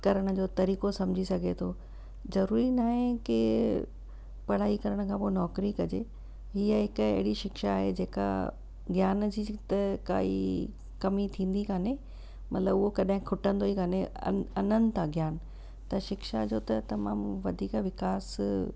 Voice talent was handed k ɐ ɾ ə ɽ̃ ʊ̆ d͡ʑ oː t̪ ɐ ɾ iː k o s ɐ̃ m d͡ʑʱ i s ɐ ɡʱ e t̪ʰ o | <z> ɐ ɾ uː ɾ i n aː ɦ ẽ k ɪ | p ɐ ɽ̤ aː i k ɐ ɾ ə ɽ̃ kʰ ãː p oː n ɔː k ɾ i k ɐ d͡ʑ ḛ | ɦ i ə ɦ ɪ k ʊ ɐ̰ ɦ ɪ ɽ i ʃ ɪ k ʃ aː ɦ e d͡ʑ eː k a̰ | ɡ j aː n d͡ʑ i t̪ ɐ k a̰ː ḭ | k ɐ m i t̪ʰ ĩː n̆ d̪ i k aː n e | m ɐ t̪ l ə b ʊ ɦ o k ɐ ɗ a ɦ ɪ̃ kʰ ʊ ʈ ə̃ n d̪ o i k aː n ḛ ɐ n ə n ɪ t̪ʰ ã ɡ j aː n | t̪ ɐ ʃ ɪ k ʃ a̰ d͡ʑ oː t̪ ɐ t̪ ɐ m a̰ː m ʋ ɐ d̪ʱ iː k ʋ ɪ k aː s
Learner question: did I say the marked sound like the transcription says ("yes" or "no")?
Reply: yes